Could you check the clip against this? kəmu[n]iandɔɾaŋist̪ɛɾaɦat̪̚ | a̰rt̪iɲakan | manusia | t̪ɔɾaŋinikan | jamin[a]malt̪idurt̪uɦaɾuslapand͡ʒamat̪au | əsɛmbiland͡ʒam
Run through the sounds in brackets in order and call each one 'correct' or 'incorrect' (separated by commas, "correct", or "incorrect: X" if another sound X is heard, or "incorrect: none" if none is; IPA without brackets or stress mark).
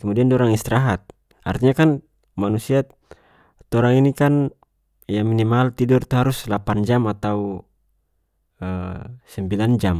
incorrect: d, incorrect: i